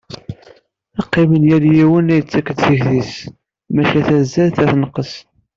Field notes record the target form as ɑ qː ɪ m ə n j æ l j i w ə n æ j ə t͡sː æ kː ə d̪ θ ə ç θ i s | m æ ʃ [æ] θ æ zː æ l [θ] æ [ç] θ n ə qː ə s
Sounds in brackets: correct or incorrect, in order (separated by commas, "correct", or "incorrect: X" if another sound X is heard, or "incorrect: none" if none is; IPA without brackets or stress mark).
correct, correct, incorrect: none